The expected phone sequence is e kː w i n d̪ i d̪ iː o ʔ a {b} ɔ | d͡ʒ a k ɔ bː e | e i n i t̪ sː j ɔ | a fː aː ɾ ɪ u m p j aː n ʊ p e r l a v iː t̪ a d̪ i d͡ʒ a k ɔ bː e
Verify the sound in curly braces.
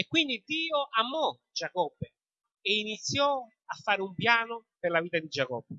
incorrect: m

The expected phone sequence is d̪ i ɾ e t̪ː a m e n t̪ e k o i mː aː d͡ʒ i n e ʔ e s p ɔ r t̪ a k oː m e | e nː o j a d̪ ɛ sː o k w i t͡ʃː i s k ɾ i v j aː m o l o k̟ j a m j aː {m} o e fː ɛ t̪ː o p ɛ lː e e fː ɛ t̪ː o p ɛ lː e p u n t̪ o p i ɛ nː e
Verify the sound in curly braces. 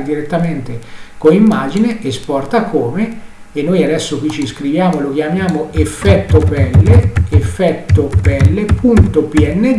correct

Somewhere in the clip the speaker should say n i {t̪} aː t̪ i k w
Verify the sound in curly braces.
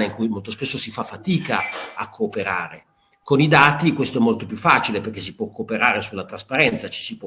incorrect: d̪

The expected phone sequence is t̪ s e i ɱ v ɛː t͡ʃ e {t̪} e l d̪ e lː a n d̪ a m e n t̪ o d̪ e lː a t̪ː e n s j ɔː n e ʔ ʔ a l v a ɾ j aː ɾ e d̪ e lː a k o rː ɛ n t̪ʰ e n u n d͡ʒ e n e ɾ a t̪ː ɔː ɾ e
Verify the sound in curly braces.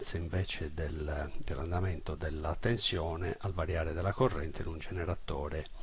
incorrect: d̪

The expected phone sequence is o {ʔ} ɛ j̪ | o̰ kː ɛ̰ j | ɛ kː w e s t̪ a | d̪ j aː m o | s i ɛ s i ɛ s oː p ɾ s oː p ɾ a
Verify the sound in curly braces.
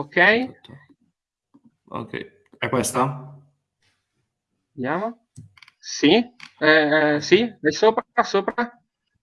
incorrect: k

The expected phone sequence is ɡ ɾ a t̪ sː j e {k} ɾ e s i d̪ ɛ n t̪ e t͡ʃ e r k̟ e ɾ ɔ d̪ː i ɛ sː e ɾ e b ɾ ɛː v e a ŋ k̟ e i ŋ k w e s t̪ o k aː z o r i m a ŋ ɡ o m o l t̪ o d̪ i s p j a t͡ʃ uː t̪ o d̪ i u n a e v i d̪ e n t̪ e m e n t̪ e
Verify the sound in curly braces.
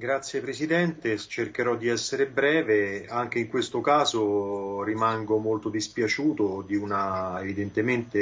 incorrect: p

